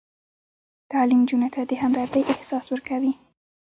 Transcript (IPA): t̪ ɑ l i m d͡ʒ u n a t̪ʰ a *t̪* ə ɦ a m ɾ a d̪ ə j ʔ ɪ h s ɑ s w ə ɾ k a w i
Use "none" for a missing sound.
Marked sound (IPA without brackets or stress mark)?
d̪